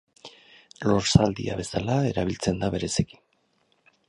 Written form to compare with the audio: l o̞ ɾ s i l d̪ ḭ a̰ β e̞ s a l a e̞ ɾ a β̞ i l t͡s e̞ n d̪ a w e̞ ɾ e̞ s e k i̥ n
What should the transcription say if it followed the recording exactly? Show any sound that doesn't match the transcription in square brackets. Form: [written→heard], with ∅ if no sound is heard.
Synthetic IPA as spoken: l o̞ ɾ s [i→a] l d̪ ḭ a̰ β e̞ s a l a e̞ ɾ a β̞ i l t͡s e̞ n d̪ a [w→β] e̞ ɾ e̞ s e k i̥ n